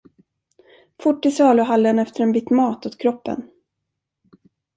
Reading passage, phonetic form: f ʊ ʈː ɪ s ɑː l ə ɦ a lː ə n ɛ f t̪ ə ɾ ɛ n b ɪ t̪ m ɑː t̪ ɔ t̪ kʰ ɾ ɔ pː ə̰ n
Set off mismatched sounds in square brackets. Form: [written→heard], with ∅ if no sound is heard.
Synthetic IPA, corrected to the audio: f ʊ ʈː ɪ s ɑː l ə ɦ a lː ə n ɛ f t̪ ə ɾ ɛ n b ɪ t̪ m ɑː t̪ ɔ t̪ kʰ ɾ ɔ pː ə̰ n